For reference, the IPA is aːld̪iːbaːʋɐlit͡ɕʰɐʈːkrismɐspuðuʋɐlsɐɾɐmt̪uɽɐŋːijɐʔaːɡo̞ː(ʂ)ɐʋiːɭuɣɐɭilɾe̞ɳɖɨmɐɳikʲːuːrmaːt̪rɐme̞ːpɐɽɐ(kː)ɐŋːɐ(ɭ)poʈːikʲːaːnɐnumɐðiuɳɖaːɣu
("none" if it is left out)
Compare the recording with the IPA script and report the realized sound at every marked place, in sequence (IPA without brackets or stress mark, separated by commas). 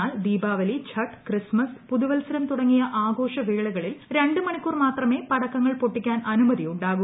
ʂ, kː, ɭ